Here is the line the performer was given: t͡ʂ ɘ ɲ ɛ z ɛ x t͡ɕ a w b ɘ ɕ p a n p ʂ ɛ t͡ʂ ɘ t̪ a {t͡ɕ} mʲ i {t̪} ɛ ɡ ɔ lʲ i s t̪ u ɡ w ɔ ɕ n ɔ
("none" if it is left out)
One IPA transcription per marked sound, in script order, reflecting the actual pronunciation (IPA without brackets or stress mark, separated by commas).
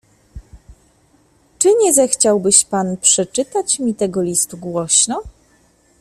t͡ɕ, t̪